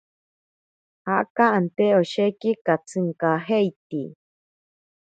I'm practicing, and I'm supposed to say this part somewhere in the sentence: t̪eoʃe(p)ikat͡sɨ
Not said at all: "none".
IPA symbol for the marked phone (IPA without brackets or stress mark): k